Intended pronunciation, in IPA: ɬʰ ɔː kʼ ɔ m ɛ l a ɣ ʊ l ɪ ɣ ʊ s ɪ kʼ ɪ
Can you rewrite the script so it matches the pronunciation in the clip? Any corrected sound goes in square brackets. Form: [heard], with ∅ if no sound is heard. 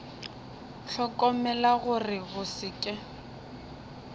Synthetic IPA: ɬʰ [ɔ] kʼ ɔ m ɛ l a ɣ ʊ [r] ɪ ɣ ʊ s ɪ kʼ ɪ